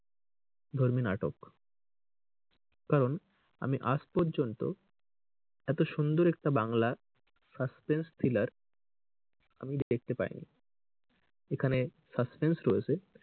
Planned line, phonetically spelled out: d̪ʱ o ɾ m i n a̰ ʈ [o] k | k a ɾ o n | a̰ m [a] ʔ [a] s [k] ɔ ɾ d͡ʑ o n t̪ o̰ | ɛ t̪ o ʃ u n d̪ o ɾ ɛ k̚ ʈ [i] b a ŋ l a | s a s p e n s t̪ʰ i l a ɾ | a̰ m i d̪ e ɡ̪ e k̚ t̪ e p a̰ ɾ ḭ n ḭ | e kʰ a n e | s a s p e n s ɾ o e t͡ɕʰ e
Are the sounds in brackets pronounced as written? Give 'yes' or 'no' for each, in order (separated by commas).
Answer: yes, no, yes, no, no